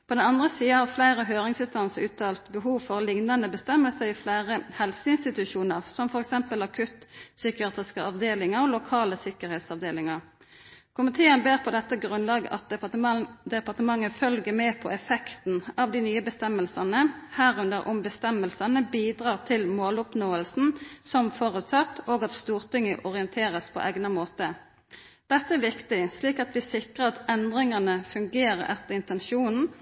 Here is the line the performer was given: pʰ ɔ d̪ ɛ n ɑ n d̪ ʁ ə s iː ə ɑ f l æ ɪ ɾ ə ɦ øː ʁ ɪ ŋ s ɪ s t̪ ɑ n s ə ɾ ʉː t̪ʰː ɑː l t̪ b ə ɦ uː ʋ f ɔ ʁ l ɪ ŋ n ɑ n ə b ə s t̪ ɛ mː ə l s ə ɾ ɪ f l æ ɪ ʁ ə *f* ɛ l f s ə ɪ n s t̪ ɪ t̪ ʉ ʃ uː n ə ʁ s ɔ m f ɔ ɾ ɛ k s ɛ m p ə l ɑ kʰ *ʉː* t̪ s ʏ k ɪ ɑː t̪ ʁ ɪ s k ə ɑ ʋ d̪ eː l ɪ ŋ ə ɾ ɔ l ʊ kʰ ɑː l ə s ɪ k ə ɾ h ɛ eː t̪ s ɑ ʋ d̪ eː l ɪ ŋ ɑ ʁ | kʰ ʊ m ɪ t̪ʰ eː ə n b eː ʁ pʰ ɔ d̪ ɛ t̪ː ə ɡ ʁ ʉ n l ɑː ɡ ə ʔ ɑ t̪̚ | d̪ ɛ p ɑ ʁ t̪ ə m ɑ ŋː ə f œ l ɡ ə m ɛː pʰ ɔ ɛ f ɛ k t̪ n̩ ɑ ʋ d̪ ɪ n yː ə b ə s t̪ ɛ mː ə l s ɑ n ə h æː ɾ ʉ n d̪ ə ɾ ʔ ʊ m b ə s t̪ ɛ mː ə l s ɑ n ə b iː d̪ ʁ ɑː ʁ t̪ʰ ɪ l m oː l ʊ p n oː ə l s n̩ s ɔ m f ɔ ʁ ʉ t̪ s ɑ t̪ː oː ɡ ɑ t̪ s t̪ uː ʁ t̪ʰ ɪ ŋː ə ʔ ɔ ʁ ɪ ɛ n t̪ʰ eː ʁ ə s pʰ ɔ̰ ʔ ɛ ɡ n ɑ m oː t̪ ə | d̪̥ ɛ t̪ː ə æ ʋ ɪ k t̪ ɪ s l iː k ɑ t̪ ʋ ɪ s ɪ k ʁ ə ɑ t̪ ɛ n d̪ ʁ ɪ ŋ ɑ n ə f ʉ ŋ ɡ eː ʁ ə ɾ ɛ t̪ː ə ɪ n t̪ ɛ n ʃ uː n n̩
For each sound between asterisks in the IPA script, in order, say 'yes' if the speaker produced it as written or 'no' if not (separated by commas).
no, no